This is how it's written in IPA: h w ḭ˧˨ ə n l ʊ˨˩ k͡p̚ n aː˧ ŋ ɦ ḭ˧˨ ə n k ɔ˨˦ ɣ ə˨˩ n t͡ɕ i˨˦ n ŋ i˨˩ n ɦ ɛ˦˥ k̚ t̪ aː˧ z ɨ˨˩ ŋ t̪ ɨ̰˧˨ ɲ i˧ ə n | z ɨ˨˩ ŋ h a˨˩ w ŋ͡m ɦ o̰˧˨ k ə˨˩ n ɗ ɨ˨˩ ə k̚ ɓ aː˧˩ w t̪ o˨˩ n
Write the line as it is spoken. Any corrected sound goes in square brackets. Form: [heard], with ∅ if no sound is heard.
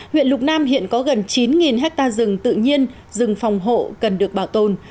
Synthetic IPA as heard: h w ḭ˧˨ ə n l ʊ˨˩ k͡p̚ n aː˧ [m] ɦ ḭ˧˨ ə n k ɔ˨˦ ɣ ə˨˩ n t͡ɕ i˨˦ n ŋ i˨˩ n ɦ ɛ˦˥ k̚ t̪ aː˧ z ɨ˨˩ ŋ t̪ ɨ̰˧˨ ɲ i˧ ə n | z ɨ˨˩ ŋ [f] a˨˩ w ŋ͡m ɦ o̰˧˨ k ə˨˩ n ɗ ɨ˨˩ ə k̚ ɓ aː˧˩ w t̪ o˨˩ n